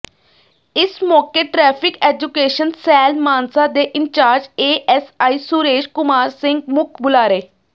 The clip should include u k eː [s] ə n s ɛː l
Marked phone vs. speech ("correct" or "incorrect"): incorrect